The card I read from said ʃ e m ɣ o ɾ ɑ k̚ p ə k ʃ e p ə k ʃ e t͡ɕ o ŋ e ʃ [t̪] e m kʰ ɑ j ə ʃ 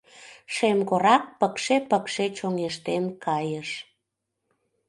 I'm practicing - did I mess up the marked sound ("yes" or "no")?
no